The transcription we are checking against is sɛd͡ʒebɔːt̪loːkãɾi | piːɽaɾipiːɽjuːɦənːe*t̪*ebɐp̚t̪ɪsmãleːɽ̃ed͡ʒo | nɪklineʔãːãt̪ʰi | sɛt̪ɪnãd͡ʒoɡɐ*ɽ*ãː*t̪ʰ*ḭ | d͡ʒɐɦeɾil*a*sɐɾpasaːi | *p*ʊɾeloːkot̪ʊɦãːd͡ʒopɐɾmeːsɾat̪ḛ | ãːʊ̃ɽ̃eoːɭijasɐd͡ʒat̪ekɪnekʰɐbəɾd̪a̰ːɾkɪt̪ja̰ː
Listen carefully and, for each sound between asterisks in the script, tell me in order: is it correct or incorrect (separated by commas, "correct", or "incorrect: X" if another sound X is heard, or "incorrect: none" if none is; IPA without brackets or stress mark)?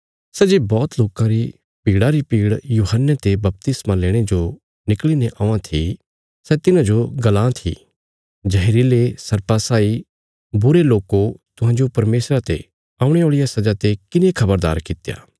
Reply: correct, incorrect: l, correct, incorrect: e, incorrect: b